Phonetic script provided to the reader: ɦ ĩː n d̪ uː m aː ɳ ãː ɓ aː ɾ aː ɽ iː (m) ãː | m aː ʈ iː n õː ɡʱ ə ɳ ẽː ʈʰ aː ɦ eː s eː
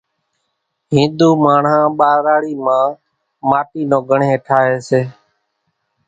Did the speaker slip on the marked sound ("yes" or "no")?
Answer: no